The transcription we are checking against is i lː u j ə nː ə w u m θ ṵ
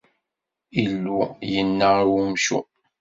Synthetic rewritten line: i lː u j ə nː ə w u m ʃ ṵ